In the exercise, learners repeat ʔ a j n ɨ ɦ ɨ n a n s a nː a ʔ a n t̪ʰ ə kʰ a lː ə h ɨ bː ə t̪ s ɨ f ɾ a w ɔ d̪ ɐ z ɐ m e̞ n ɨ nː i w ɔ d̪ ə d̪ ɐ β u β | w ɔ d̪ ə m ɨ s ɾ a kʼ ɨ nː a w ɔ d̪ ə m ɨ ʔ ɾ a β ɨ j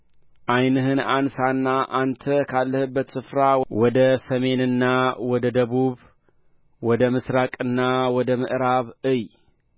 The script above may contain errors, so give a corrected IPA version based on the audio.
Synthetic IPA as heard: ʔ a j n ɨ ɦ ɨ n a n s a nː a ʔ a n t̪ʰ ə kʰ a lː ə h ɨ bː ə t̪ s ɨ f ɾ a w ɔ d̪ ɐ s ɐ m e̞ n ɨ nː a w ɔ d̪ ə d̪ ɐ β u β | w ɔ d̪ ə m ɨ s ɾ a kʼ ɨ nː a w ɔ d̪ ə m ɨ ʔ ɾ a β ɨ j